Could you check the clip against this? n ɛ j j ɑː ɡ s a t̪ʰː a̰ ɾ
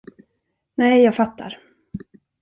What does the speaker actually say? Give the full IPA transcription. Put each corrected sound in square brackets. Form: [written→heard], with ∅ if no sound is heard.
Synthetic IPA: n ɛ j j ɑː ɡ [s→f] a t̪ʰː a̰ ɾ